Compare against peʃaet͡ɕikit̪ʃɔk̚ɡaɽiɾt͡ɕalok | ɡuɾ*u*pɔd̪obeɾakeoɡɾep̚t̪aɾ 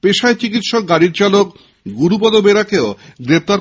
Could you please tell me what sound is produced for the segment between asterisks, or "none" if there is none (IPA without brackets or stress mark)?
u